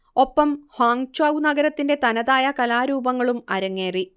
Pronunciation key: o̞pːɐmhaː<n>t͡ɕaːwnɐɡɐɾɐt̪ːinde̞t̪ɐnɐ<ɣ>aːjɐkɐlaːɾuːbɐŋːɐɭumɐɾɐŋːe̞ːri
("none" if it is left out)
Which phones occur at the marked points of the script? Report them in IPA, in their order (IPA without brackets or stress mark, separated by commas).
ŋ, ð